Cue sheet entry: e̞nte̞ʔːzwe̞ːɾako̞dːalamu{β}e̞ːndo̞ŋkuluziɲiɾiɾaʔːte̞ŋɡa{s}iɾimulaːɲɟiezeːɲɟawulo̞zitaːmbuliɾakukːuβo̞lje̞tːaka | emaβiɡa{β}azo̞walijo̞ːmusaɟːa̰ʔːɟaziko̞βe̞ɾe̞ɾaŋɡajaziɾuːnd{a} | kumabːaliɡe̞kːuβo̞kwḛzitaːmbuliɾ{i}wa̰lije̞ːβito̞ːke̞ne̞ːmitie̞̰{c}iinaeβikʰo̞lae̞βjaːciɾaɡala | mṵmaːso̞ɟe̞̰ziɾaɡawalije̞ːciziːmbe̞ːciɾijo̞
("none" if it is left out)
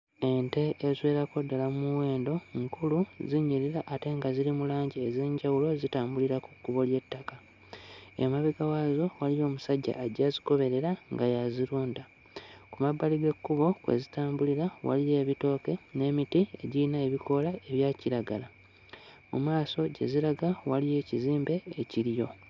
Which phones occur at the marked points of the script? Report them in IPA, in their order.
w, z, w, a, a, ɟ

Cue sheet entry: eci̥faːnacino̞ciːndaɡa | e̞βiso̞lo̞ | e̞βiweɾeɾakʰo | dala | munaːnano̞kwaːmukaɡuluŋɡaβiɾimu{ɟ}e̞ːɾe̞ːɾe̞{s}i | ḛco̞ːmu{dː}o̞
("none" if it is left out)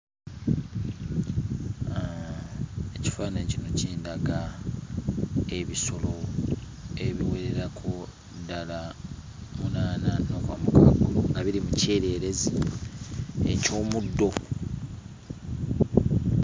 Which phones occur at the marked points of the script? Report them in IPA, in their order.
c, z, dː

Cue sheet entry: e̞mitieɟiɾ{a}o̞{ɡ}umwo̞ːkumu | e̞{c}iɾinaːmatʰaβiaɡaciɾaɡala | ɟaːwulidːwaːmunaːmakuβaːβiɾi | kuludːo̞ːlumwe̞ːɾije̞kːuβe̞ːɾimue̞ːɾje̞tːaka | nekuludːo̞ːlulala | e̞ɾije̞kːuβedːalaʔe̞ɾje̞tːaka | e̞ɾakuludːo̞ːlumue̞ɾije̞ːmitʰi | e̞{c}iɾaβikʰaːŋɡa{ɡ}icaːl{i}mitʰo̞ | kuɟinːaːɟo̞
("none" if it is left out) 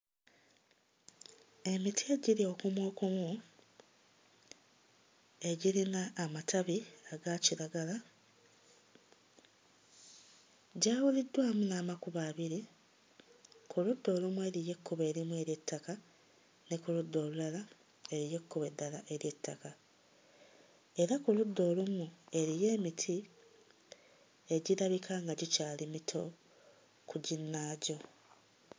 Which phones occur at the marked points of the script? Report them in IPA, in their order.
i, k, ɟ, ɟ, ɟ, i

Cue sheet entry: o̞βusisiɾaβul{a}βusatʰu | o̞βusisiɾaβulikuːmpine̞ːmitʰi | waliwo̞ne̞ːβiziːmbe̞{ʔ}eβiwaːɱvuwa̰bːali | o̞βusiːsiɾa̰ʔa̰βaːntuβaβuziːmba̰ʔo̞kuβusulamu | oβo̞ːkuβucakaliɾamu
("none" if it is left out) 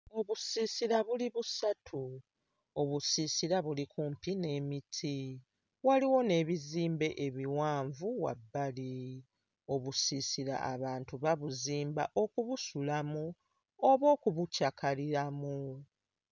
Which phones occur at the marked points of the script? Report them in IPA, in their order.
i, ʔ

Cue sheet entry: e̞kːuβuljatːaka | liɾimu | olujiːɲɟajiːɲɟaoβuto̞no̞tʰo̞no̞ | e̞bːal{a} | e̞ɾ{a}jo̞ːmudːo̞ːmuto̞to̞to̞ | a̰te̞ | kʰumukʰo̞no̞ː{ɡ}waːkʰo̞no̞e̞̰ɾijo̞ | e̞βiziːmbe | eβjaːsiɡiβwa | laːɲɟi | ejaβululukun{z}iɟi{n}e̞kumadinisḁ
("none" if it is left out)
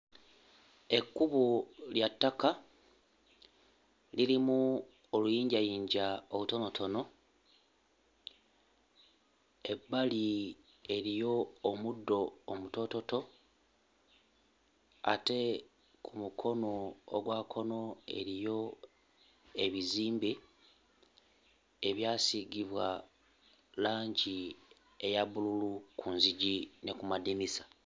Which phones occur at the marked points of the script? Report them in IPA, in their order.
i, i, ɡ, z, n

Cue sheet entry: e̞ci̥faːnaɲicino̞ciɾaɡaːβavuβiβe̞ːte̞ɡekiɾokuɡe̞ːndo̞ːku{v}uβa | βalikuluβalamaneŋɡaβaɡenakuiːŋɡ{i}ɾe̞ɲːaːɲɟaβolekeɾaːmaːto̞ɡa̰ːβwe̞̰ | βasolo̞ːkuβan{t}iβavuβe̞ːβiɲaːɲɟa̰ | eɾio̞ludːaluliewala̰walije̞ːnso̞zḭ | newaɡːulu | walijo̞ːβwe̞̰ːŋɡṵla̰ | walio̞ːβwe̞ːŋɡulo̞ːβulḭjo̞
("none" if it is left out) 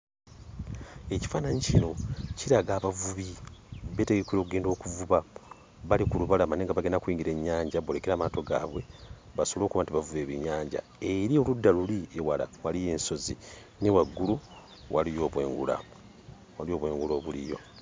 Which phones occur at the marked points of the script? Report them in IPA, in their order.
v, i, t

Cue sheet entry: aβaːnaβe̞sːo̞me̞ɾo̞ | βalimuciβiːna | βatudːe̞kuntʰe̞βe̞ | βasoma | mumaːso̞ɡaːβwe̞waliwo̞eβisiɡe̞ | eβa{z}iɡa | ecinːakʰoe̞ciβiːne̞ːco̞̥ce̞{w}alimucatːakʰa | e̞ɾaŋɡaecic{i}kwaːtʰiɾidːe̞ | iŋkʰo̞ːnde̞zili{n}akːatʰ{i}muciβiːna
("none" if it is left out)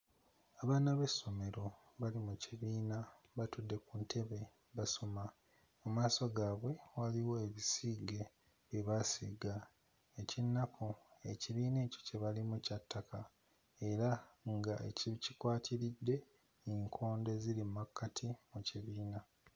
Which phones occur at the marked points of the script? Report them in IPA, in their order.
s, β, i, m, i

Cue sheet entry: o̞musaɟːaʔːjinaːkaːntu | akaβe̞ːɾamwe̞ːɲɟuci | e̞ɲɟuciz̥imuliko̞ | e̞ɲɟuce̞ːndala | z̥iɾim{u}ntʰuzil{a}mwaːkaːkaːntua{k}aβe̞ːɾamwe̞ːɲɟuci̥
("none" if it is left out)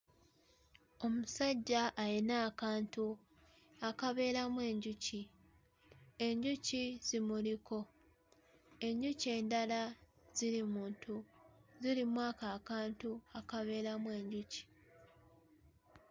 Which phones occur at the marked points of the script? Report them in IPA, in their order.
uː, i, k

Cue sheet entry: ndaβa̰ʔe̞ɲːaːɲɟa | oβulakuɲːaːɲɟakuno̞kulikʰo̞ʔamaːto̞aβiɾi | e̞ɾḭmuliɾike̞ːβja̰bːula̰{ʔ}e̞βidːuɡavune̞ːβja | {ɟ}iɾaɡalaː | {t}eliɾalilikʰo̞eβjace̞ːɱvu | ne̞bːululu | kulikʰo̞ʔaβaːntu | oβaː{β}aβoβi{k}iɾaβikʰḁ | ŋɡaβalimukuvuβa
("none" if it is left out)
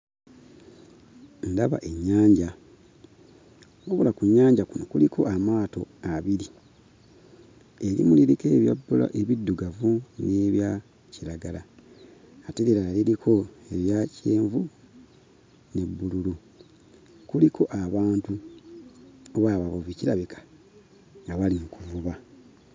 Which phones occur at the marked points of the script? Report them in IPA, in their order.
ʔ, c, t, β, c

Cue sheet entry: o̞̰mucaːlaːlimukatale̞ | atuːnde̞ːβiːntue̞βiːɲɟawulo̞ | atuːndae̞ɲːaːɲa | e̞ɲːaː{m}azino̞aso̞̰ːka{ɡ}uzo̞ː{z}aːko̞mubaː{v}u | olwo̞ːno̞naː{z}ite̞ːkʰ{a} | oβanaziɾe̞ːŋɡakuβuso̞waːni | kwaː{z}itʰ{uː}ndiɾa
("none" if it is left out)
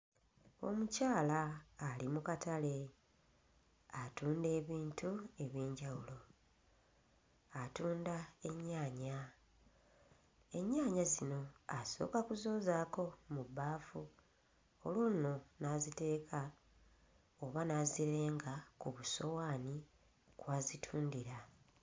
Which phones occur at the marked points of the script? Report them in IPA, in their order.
ɲ, k, z, f, z, a, z, uː

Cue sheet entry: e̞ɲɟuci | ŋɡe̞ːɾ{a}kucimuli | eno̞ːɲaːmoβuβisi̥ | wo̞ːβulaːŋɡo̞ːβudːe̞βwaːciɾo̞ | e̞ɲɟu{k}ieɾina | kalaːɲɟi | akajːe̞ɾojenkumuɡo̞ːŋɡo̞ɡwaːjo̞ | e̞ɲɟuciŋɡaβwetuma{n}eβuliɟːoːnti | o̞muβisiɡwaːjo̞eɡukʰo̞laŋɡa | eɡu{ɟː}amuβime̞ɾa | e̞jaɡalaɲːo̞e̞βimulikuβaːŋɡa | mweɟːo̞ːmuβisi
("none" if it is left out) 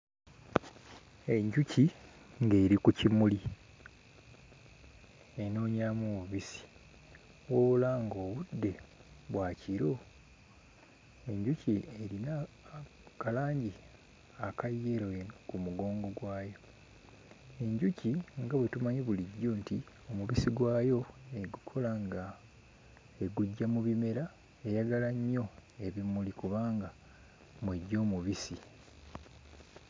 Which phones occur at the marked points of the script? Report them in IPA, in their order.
i, c, ɲ, ɟː

